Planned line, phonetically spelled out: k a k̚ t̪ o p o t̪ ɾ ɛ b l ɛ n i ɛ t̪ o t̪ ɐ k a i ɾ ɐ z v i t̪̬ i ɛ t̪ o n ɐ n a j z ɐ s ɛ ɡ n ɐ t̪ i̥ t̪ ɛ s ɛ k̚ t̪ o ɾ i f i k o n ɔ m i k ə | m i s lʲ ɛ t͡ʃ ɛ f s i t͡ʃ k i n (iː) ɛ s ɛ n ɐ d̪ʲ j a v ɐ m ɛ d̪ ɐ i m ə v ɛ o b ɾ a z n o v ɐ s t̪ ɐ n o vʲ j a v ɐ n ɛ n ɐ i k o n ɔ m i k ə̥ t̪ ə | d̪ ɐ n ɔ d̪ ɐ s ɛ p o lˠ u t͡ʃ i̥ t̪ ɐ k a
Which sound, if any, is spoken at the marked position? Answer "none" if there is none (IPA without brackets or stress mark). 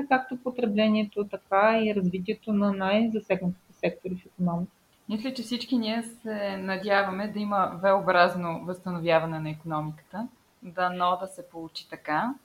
i